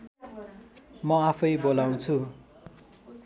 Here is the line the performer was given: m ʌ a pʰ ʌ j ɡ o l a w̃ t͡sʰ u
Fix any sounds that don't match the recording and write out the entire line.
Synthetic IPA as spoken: m ʌ a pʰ ʌ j b o l a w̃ t͡sʰ u

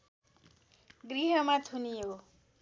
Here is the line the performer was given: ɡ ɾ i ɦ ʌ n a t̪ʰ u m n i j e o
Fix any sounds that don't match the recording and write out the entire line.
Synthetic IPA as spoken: ɡ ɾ i ɦ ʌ m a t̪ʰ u n i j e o

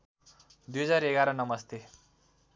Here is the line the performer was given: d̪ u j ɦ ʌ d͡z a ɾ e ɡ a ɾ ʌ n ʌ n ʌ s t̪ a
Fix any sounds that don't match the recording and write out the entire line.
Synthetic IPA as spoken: d̪ u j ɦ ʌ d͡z a ɾ e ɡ a ɾ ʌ n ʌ m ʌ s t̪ e

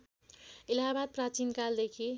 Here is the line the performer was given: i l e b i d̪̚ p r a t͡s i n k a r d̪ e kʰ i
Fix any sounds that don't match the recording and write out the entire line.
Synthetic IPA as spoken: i l a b a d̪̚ p r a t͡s i n k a l d̪ e kʰ i

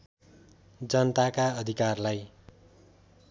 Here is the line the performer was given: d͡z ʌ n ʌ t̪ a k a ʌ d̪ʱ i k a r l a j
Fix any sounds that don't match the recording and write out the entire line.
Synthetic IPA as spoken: d͡z ʌ n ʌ t̪ a k a ʌ d̪ʱ i k a r l a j

